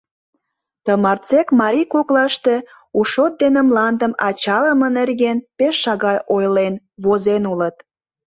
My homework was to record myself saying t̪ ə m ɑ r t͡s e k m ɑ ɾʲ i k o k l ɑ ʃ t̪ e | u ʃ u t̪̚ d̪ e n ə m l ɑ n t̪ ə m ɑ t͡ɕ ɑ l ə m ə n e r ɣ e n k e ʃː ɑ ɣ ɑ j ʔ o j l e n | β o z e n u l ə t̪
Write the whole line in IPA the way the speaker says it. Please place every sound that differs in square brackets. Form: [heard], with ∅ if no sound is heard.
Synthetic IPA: t̪ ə m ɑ r t͡s e k m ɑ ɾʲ i k o k l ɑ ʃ t̪ e | u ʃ [o] t̪̚ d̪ e n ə m l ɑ n [d̪] ə m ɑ t͡ɕ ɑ l ə m ə n e r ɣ e n [p] e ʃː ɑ ɣ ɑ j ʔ o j l e n | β o z e n u l ə t̪